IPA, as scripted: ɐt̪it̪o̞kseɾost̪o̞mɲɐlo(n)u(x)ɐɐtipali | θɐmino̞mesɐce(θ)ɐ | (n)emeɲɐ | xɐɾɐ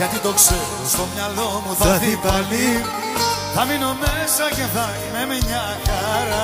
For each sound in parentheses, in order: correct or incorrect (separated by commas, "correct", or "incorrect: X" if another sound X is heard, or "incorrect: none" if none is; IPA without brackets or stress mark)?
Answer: incorrect: m, incorrect: θ, correct, incorrect: m